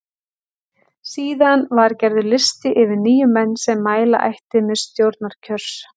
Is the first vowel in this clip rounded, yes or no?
no